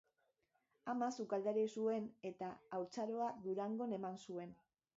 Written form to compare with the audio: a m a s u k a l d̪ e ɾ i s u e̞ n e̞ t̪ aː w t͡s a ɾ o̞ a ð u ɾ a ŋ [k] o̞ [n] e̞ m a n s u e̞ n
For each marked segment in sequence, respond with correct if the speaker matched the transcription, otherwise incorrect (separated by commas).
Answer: incorrect, correct